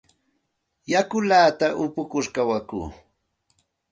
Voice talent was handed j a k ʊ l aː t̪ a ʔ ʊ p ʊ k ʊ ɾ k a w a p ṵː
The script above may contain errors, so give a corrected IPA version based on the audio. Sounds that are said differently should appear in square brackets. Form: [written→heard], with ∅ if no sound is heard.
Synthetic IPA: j a k ʊ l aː t̪ a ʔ ʊ p ʊ k ʊ ɾ k a w a [p→k] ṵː